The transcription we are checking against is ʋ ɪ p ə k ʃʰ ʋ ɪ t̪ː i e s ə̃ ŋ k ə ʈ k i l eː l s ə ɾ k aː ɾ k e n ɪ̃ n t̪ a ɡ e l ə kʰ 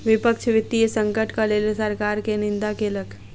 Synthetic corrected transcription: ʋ ɪ p ə k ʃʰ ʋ ɪ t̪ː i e s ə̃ ŋ k ə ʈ k a l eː l s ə ɾ k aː ɾ k e n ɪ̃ n d̪ a k e l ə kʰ